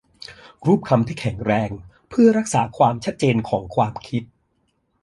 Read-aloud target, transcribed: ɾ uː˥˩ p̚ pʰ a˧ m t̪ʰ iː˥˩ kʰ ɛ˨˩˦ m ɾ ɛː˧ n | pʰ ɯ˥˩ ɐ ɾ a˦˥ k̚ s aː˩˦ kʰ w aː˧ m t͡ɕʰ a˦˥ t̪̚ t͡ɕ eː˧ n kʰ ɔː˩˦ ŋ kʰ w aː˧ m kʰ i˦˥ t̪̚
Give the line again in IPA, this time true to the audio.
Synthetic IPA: ɾ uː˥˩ p̚ kʰ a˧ m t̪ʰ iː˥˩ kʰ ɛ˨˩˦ ŋ ɾ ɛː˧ ŋ | pʰ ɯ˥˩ ɐ ɾ a˦˥ k̚ s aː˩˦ kʰ w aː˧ m t͡ɕʰ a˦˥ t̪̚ t͡ɕ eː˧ n kʰ ɔː˩˦ ŋ kʰ w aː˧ m kʰ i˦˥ t̪̚